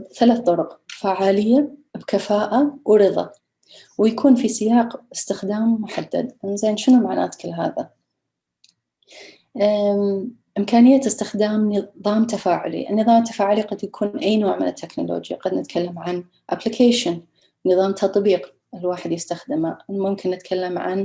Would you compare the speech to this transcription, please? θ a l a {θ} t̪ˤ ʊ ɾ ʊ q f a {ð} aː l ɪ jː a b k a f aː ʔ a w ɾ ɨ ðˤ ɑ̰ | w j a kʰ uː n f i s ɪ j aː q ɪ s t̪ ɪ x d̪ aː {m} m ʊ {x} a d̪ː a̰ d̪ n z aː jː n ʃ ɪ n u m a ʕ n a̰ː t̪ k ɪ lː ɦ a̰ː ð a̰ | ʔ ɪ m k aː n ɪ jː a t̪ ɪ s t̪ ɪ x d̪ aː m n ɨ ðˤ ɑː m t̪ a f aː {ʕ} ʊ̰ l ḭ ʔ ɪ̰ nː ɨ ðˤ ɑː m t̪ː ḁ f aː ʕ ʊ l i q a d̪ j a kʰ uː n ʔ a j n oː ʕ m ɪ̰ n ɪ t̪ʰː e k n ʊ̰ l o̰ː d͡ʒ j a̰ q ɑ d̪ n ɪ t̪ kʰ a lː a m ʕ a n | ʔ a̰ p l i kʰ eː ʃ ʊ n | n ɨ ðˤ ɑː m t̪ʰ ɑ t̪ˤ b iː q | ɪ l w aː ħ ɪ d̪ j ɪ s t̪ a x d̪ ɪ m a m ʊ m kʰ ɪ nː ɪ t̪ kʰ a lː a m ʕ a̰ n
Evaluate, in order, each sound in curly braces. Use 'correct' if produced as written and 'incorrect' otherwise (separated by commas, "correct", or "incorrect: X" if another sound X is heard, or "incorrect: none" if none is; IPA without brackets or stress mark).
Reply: correct, incorrect: ʕ, correct, incorrect: ħ, correct